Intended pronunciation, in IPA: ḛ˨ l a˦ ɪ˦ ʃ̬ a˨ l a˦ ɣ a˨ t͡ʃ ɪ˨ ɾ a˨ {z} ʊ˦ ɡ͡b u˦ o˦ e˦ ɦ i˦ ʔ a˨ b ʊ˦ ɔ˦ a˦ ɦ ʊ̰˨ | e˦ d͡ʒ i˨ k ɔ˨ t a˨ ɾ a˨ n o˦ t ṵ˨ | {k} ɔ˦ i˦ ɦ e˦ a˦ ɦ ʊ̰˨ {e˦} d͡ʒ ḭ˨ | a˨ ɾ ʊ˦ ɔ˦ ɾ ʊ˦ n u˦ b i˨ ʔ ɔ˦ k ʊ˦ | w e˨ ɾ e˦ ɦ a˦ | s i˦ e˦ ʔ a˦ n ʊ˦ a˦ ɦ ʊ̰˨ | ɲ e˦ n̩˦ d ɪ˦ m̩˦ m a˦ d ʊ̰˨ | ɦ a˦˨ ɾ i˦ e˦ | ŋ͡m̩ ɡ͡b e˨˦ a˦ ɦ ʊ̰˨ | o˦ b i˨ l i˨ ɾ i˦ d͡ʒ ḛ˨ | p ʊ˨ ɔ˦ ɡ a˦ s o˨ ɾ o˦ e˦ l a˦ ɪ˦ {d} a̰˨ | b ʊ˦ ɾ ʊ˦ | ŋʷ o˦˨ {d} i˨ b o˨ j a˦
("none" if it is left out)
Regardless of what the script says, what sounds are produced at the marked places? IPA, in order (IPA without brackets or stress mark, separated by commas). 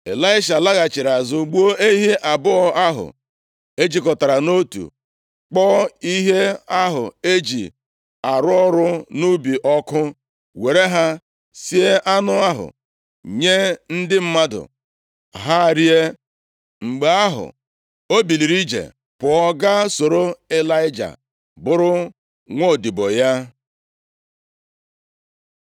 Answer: z, k͡p, e˦, d͡ʒ, d